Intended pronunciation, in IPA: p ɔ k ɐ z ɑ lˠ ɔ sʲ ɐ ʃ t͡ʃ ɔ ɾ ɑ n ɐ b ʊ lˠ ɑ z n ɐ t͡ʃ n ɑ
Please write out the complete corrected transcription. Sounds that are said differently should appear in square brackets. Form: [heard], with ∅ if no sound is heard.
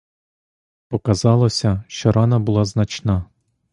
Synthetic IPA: p ɔ k ɐ z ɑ lˠ ɔ sʲ ɐ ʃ t͡ʃ ɔ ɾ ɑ n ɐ b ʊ lˠ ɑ z n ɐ t͡ʃ n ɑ